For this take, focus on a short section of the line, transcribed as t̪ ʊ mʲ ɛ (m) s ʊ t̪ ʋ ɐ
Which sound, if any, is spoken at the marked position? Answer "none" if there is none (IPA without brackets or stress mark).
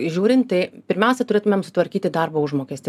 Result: m